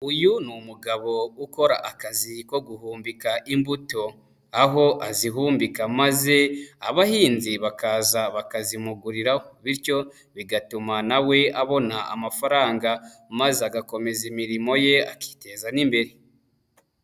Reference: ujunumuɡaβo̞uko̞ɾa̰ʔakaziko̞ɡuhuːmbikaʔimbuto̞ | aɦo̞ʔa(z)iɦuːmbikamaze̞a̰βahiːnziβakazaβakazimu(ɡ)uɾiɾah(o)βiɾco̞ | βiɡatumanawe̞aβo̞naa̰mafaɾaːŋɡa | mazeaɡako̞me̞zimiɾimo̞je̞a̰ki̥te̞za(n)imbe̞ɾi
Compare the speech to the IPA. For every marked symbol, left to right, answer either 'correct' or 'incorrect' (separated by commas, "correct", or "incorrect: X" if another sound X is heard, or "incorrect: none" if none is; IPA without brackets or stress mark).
correct, correct, correct, correct